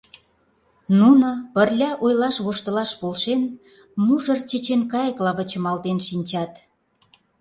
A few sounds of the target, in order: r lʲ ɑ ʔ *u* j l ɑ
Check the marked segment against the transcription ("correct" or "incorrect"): incorrect